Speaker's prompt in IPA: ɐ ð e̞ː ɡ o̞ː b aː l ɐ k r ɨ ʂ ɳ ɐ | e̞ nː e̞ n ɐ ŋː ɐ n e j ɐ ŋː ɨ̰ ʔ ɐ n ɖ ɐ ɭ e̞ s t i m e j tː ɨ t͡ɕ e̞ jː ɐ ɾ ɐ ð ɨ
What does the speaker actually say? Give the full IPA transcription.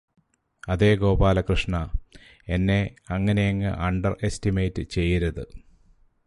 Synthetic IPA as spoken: ɐ ð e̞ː ɡ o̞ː b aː l ɐ k r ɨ ʂ ɳ ɐ | e̞ nː e̞ ɐ ŋː ɐ n e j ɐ ŋː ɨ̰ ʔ ɐ ɳ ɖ ɐ r e̞ s t i m e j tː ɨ t͡ɕ e̞ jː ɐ ɾ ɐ ð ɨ